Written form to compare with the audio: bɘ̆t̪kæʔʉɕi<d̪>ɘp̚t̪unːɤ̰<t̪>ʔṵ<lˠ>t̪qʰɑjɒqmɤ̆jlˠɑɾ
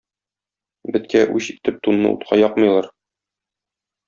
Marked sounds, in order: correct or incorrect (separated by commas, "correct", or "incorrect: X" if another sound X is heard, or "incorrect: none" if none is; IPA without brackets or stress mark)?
incorrect: t̪, incorrect: none, incorrect: none